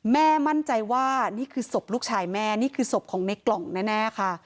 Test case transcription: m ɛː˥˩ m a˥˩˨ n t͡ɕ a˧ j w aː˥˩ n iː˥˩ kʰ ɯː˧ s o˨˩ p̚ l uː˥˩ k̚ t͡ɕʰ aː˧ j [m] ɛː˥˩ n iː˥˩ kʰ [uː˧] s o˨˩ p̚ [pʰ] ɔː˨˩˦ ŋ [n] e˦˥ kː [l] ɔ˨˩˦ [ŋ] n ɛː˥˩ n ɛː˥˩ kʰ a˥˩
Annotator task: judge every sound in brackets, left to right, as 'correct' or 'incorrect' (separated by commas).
correct, incorrect, incorrect, correct, correct, correct